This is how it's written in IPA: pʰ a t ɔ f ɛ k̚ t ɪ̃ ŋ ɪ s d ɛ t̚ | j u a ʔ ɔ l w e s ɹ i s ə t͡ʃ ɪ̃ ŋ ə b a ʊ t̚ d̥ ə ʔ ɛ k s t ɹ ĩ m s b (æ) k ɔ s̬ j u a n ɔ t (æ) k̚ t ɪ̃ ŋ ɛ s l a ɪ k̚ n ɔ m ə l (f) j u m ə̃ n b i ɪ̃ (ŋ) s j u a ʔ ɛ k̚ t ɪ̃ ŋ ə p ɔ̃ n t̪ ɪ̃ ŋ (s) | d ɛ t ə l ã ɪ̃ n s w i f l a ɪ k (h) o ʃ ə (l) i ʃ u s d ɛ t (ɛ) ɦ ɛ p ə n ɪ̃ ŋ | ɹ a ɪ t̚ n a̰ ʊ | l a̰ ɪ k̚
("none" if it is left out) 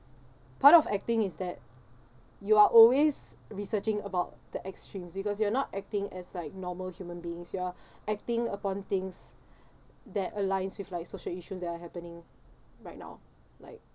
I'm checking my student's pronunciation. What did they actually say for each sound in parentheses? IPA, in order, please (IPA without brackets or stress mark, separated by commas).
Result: i, ɛ, h, ŋ, s, s, l, a